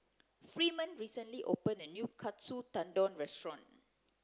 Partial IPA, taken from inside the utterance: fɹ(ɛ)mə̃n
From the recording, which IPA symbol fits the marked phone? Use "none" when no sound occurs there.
i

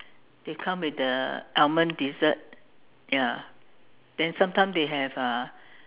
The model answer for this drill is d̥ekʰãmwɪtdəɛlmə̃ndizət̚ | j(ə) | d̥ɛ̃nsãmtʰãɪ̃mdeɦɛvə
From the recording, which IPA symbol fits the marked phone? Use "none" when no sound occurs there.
a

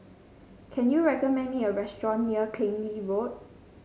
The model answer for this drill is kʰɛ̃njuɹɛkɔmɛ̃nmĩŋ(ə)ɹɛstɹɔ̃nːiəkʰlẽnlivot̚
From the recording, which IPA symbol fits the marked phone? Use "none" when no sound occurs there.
ə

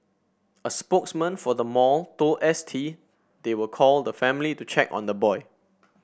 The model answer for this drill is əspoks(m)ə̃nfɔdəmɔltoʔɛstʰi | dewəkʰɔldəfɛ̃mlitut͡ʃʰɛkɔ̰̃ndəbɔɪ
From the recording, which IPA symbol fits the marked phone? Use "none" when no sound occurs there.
m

